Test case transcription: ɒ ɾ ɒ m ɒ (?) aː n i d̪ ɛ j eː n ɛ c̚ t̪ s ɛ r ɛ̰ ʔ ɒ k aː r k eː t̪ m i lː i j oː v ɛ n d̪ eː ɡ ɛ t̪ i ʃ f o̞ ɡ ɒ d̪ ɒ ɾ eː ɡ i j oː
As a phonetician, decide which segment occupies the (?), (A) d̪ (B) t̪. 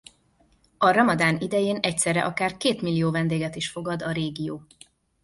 A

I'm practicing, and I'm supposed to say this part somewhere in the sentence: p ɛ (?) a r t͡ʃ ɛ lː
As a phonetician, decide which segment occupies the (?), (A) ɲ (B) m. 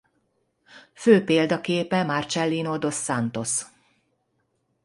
B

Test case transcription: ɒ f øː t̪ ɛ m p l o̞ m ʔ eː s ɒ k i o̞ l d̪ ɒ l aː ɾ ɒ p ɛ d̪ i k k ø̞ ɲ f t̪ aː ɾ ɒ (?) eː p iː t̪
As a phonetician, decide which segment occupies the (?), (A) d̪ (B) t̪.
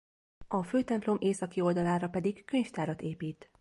B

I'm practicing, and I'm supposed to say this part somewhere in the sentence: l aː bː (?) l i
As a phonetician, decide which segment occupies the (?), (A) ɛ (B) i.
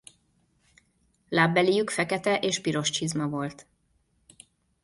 A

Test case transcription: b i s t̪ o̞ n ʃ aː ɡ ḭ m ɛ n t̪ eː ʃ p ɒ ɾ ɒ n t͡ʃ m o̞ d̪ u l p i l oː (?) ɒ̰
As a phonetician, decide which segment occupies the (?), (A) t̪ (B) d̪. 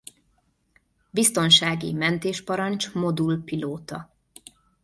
A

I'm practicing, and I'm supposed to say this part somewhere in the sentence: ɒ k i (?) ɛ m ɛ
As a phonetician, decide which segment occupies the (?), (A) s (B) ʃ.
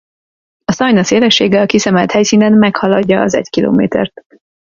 A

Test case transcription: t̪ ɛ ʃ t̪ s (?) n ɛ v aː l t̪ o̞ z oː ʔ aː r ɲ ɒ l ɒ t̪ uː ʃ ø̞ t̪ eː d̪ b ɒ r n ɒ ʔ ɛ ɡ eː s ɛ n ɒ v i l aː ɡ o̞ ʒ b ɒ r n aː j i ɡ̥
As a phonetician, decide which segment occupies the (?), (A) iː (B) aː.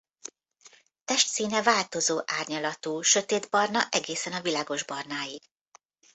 A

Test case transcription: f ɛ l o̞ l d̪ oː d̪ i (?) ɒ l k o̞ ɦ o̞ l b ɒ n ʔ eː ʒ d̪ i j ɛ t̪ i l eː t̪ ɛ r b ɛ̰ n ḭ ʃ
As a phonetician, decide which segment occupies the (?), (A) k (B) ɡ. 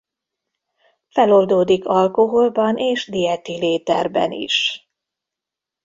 A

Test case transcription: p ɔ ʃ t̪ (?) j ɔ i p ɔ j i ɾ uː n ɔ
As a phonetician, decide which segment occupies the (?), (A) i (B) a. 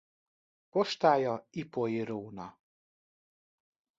B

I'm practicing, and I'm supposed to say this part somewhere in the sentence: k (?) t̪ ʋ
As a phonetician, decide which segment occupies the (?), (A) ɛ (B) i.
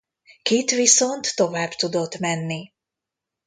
B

